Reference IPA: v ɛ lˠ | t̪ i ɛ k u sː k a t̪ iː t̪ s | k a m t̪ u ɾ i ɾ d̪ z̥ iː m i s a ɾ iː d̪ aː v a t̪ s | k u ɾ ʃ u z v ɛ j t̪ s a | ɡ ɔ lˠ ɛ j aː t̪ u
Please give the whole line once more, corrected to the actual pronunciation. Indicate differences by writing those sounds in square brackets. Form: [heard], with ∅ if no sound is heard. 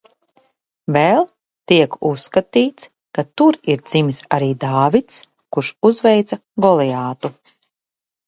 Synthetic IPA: v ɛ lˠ | t̪ i ɛ k u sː k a t̪ iː t̪ s | k a [∅] t̪ u ɾ i ɾ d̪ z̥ [i] m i s a ɾ iː d̪ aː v [i] t̪ s | k u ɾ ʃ u z v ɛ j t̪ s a | ɡ ɔ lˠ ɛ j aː t̪ u